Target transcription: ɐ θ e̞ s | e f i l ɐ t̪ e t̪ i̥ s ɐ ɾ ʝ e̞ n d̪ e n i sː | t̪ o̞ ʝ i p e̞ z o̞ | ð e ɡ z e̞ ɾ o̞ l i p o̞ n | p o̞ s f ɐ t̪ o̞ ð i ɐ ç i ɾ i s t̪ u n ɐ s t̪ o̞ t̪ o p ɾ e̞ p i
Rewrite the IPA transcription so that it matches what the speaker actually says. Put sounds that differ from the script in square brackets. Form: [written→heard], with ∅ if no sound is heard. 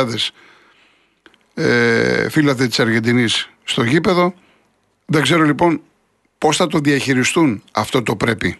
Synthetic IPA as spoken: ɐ [θ→ð] e̞ s | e f i l ɐ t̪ e t̪ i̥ s ɐ ɾ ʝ e̞ n d̪ [e→i] n i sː | t̪ o̞ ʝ i p e̞ [z→ð] o̞ | ð e ɡ z e̞ ɾ o̞ l i p o̞ n | p o̞ s [f→θ] ɐ t̪ o̞ ð i ɐ ç i ɾ i s t̪ u n ɐ [s→f] t̪ o̞ t̪ o p ɾ e̞ p i